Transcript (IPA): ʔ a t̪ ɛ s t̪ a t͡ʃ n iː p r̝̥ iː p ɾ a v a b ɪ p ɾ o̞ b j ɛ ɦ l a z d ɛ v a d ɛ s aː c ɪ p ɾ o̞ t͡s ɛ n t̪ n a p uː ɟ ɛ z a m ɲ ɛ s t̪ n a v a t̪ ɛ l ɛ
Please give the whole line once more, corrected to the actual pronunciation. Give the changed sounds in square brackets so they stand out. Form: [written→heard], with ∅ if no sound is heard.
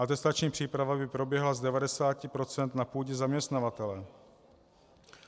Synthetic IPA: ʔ a t̪ ɛ s t̪ a t͡ʃ [n→ɲ] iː p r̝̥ iː p ɾ a v a b ɪ p ɾ o̞ b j ɛ ɦ l a z d ɛ v a d ɛ s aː c ɪ p ɾ o̞ t͡s ɛ n t̪ n a p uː ɟ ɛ z a m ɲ ɛ s t̪ n a v a t̪ ɛ l ɛ